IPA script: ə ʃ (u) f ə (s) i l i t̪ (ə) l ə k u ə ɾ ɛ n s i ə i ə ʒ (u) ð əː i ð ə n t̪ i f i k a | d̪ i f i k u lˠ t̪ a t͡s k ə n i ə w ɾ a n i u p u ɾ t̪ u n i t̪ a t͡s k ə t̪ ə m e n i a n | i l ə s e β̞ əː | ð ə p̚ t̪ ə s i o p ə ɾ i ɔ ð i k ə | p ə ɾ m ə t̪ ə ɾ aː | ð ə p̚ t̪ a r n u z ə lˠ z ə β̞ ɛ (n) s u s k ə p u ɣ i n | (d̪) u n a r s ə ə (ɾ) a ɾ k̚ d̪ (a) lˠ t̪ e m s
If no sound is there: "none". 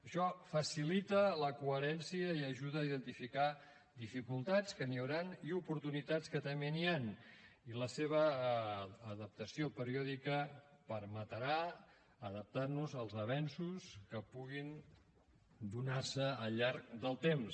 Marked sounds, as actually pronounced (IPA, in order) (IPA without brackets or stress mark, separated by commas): ɔ, s, ə, u, n, d̪, ʎ, ə